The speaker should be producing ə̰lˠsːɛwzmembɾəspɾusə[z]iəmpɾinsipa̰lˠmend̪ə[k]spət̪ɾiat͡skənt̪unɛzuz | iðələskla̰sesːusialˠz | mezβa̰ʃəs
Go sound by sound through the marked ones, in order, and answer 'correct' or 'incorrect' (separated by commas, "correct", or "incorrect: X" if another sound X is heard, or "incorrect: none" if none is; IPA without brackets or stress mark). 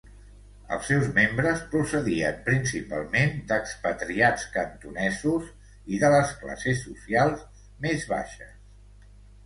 incorrect: ð, correct